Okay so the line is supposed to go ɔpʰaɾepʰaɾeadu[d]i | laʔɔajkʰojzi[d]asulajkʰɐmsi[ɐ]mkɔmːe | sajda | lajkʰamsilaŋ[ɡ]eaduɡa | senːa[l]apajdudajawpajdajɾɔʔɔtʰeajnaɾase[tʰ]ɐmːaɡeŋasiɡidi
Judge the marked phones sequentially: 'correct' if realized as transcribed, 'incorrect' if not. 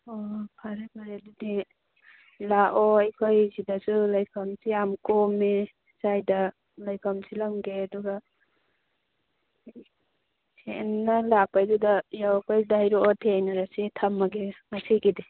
correct, correct, incorrect: a, correct, correct, correct

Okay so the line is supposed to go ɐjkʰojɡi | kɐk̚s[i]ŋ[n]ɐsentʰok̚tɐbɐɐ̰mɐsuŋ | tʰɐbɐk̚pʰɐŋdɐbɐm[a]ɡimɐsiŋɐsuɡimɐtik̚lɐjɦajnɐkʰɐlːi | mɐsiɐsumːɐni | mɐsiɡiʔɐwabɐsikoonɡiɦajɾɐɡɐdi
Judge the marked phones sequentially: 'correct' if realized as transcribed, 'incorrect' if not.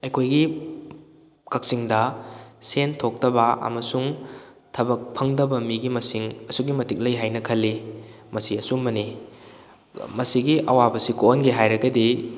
correct, incorrect: d, incorrect: i

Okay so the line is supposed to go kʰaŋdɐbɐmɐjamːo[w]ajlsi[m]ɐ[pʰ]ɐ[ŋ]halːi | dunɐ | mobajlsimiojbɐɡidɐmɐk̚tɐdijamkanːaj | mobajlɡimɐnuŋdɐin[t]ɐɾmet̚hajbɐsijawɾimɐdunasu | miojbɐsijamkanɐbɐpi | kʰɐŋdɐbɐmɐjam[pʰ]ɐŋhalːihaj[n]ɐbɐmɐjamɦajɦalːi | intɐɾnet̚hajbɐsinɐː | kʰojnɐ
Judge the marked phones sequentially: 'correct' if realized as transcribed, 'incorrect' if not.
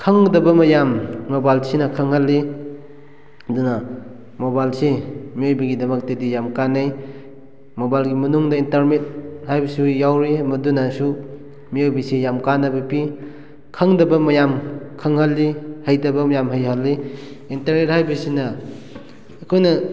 incorrect: b, incorrect: n, incorrect: kʰ, correct, correct, incorrect: kʰ, incorrect: d

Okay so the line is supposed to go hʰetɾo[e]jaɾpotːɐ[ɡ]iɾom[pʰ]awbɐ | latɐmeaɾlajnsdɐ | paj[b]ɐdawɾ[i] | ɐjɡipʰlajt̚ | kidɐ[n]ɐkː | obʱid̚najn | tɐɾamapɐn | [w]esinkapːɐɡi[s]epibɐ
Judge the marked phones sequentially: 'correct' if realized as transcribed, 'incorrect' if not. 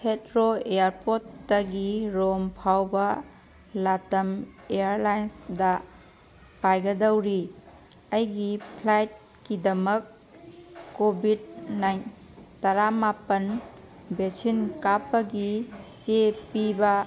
correct, correct, correct, incorrect: ɡ, correct, incorrect: m, incorrect: b, correct

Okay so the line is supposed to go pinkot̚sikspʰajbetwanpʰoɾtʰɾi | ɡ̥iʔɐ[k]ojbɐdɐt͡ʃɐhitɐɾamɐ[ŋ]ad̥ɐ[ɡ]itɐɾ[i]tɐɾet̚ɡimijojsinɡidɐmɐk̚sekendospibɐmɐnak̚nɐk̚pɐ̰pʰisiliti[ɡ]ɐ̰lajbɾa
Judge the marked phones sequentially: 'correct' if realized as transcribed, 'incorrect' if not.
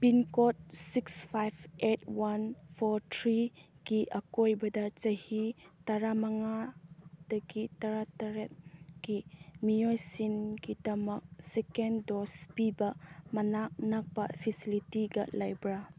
correct, correct, correct, incorrect: a, correct

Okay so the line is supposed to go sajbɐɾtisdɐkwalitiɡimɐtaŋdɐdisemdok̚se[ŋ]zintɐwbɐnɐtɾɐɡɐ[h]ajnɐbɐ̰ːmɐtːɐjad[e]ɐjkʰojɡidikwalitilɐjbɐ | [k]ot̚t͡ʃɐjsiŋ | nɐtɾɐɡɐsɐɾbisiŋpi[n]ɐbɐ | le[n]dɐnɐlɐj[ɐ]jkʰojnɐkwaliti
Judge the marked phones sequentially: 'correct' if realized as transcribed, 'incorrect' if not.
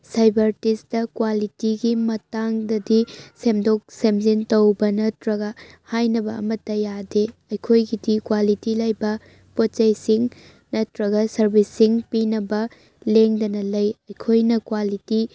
incorrect: m, correct, correct, incorrect: p, correct, incorrect: ŋ, correct

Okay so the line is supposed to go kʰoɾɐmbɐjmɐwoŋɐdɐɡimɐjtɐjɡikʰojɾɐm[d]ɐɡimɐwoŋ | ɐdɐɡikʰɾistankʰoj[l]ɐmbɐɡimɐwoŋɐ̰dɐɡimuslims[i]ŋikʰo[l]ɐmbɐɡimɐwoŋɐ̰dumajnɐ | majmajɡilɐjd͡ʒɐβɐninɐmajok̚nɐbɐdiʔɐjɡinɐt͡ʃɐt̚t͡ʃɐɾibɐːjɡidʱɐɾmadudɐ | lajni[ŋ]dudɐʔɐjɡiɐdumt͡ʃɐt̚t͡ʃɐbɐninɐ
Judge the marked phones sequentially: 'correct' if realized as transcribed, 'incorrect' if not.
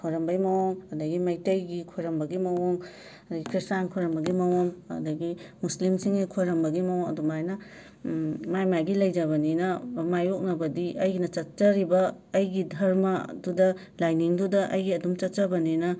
incorrect: b, incorrect: ɾ, correct, incorrect: ɾ, correct

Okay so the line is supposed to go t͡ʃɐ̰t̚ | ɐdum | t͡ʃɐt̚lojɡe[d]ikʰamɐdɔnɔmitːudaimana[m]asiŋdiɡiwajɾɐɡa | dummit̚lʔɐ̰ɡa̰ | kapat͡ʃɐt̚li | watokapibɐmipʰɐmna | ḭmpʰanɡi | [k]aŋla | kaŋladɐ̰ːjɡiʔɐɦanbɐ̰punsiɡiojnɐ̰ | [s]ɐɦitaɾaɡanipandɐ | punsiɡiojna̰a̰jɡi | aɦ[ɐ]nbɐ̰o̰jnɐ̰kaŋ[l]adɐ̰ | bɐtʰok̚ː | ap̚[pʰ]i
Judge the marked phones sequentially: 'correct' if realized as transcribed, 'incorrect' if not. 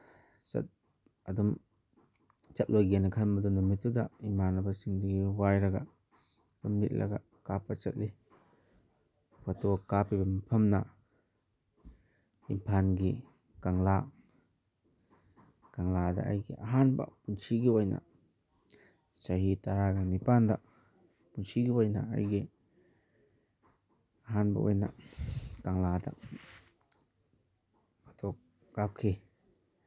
incorrect: n, incorrect: b, correct, correct, incorrect: a, correct, incorrect: kʰ

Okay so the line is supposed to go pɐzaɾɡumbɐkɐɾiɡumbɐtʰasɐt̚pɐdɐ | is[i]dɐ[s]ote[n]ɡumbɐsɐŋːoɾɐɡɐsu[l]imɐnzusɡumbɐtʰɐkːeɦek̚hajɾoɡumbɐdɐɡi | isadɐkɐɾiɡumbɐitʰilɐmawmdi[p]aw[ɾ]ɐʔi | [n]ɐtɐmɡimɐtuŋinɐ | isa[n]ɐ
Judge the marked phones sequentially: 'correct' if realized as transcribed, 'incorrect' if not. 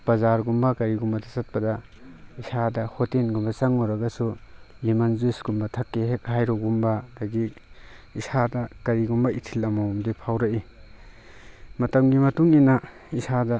incorrect: a, incorrect: h, correct, correct, incorrect: pʰ, correct, incorrect: m, incorrect: d

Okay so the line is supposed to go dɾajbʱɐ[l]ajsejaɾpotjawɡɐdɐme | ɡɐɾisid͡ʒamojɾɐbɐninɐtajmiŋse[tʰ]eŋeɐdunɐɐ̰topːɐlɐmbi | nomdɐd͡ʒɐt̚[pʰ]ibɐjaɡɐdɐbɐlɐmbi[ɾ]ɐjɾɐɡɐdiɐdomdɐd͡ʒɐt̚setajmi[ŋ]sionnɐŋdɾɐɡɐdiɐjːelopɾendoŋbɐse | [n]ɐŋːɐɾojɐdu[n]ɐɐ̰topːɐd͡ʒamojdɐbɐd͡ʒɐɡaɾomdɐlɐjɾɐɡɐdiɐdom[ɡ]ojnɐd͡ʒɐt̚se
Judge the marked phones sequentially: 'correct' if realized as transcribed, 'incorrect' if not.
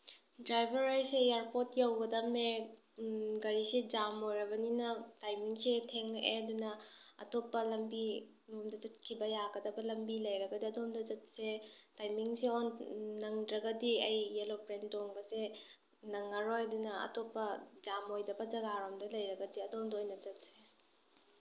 incorrect: ɾ, correct, incorrect: kʰ, incorrect: l, correct, correct, correct, incorrect: d

